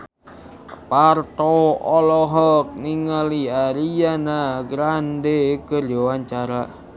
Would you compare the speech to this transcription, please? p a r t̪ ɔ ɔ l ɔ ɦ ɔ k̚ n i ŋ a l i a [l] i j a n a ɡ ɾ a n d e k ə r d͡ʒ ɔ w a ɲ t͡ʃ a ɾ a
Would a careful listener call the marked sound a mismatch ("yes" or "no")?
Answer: yes